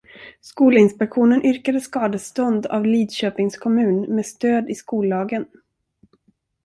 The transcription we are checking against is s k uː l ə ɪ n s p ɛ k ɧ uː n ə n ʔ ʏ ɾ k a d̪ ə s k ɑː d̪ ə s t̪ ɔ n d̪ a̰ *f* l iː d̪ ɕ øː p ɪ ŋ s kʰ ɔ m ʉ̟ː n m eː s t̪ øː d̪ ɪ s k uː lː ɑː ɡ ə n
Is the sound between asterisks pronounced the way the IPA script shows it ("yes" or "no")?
no